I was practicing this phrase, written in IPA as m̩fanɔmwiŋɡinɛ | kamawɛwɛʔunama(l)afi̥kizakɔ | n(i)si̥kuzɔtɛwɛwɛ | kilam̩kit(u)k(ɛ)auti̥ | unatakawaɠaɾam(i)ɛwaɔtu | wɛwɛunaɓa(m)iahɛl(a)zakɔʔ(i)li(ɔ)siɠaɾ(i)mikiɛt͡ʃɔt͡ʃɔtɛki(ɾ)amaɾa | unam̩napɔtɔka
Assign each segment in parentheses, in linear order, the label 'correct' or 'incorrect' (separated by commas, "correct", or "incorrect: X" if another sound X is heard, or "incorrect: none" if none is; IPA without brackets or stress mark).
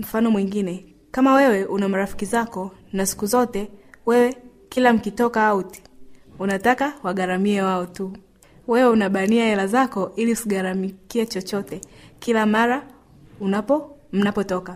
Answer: incorrect: ɾ, incorrect: a, incorrect: ɔ, incorrect: a, correct, incorrect: n, correct, correct, incorrect: u, incorrect: a, incorrect: l